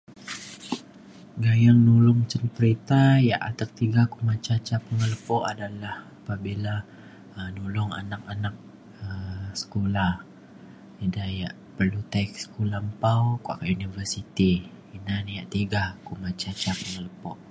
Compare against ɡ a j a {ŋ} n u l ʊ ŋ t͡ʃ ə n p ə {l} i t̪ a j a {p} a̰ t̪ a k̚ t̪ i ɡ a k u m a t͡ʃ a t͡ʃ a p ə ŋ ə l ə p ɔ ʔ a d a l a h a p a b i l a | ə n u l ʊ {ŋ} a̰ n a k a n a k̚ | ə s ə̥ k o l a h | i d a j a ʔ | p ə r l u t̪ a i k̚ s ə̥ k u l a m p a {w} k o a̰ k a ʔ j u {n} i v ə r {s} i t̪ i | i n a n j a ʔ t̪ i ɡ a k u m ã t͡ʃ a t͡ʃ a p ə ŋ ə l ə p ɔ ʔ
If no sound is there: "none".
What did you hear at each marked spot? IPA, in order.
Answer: ŋ, ɾ, ʔ, ŋ, w, n, s

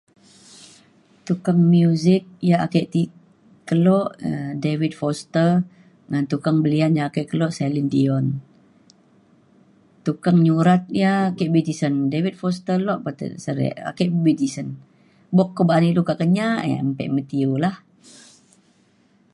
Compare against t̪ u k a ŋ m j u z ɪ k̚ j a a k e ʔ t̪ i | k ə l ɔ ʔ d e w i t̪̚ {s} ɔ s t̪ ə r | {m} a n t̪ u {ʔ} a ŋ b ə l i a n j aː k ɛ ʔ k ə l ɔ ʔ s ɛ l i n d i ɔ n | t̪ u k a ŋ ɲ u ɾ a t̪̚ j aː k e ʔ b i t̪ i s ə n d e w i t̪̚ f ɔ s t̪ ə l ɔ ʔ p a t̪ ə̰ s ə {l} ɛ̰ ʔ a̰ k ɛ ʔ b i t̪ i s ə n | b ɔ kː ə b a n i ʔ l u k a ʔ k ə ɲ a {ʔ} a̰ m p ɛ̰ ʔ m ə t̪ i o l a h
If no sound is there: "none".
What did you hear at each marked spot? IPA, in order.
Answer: f, ŋ, k, ɾ, ʔ

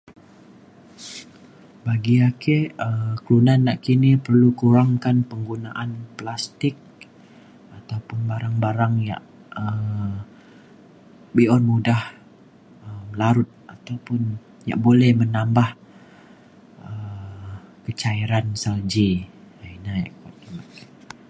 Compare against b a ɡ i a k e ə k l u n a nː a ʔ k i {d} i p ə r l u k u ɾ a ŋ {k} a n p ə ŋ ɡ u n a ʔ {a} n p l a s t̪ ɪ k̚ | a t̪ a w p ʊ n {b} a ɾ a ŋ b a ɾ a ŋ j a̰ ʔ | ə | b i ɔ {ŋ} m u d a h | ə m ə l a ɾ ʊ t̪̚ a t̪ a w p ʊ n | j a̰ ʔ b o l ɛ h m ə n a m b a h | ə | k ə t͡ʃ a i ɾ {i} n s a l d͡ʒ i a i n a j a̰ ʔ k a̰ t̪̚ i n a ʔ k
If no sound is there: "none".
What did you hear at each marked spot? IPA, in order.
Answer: n, k, a, b, n, a

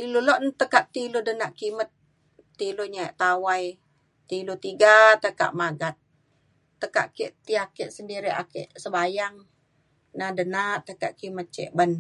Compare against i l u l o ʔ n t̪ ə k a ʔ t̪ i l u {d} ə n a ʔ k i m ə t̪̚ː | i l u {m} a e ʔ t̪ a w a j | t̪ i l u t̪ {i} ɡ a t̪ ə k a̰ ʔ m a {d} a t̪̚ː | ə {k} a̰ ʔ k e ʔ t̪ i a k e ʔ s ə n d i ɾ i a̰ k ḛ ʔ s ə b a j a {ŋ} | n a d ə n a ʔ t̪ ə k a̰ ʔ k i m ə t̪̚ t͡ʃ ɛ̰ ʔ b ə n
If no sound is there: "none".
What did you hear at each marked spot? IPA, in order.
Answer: d, ɲ, i, ɡ, k, ŋ

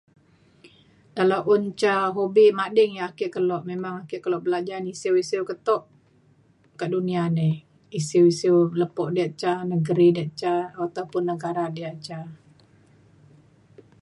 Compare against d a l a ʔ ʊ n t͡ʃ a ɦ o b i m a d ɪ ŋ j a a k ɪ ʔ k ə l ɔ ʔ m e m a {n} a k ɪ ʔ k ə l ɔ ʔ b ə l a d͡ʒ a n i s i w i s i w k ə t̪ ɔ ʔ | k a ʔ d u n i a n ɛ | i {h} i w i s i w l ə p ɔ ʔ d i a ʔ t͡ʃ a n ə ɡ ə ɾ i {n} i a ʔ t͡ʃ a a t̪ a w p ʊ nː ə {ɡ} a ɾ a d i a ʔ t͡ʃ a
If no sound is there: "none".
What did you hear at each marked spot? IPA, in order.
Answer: ŋ, s, d, ɡ

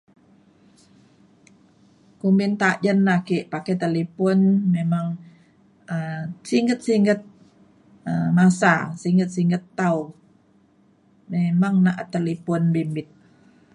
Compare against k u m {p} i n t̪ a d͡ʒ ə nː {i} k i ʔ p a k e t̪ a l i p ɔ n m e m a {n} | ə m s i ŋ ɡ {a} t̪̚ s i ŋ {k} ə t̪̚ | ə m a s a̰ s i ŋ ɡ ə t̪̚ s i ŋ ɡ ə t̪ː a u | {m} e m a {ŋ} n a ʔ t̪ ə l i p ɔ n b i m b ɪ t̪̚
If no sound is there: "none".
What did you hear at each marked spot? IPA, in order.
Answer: b, a, ŋ, ə, ɡ, m, ŋ

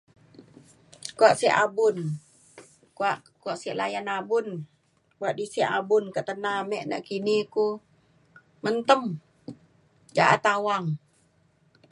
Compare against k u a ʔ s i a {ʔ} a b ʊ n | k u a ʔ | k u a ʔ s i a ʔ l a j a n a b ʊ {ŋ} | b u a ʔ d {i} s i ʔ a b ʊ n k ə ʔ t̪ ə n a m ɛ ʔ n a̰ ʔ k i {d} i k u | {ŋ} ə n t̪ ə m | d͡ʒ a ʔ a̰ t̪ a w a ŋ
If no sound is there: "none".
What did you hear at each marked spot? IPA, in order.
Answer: ʔ, n, i, n, m

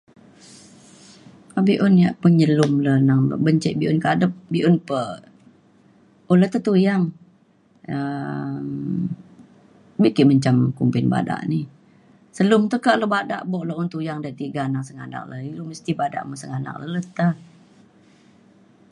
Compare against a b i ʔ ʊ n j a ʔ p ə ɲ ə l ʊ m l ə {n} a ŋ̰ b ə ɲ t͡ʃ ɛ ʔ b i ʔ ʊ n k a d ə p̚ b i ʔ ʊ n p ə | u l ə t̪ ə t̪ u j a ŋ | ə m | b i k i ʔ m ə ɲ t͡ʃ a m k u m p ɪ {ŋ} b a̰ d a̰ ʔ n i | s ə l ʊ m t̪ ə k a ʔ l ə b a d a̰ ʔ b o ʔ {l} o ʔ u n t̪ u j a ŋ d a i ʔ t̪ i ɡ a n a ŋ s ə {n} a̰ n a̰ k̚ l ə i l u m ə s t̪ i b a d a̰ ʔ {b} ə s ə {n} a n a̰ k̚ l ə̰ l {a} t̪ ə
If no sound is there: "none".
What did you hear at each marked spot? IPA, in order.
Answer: n, n, l, ŋ, m, ŋ, ə

